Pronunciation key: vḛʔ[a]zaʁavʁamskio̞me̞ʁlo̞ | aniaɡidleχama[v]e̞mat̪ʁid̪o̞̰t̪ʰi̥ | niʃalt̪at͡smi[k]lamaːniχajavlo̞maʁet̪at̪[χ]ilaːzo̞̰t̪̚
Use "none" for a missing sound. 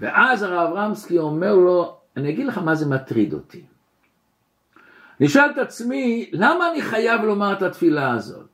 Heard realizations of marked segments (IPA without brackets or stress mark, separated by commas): a, z, none, f